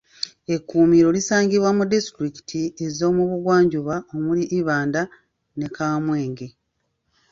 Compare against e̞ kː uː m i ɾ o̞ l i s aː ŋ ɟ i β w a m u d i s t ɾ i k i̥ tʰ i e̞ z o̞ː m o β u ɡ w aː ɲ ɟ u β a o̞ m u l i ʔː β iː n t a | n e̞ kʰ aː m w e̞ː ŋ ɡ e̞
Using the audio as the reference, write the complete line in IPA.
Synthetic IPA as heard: e̞ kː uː m i ɾ o̞ l i s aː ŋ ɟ i β w a m u d i s t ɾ i k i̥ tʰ i e̞ z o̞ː m u β u ɡ w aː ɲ ɟ u β a o̞ m u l i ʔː β aː n d a | n e̞ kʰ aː m w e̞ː ŋ ɡ e̞